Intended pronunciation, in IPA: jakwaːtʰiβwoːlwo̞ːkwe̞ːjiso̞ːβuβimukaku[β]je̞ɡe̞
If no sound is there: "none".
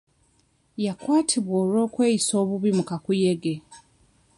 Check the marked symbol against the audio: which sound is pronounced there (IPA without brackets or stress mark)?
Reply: none